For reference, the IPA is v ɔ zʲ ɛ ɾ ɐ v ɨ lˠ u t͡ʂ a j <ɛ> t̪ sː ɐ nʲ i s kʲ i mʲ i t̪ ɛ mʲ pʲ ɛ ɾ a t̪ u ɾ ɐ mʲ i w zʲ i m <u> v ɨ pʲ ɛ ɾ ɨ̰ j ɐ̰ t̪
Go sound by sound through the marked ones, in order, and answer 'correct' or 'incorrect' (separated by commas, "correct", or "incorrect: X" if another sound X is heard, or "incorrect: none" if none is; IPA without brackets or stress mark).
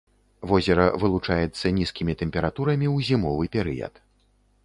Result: correct, incorrect: ɔ